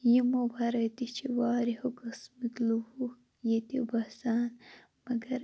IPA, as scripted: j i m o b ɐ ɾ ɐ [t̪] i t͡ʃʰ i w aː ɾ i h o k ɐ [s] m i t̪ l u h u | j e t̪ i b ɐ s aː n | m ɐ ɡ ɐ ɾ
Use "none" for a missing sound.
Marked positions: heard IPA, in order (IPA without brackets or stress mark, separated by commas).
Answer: t̪, s